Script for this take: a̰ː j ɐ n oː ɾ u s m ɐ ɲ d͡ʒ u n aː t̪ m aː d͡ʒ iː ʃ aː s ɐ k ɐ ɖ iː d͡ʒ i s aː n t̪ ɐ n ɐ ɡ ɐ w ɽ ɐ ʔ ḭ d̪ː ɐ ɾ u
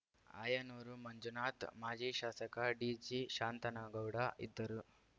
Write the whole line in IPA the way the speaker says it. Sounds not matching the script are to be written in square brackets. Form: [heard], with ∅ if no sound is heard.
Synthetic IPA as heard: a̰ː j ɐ n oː ɾ u [∅] m ɐ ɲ d͡ʒ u n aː t̪ m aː d͡ʒ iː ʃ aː s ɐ k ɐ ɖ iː d͡ʒ i [ʃ] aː n t̪ ɐ n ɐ ɡ ɐ w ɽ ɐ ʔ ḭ d̪ː ɐ ɾ u